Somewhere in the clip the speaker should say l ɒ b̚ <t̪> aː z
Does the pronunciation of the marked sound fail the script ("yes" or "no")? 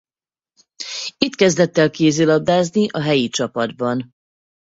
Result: yes